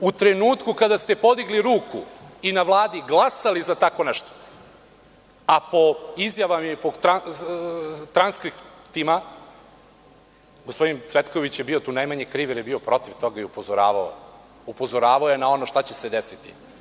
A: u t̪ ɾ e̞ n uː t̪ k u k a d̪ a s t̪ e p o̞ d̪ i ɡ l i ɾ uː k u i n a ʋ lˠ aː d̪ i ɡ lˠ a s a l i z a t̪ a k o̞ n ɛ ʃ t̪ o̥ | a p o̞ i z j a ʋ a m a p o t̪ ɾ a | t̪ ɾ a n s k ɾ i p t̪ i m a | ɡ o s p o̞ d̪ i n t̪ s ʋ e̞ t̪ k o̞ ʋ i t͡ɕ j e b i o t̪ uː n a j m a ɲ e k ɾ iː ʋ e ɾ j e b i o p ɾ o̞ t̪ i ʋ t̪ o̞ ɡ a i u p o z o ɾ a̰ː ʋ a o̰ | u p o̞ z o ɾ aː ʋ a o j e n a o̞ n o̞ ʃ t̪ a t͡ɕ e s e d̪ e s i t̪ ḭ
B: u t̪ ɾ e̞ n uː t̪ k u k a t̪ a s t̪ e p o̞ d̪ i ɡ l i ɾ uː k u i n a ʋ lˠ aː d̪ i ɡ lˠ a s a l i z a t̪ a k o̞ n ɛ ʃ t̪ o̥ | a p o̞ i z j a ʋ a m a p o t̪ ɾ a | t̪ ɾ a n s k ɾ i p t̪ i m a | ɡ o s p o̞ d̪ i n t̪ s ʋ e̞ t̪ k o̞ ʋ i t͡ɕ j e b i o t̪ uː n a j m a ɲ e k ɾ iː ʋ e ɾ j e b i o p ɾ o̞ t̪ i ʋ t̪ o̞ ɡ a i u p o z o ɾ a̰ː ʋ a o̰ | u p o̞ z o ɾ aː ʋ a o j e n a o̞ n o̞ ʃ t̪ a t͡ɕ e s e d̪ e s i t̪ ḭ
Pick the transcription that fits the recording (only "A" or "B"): A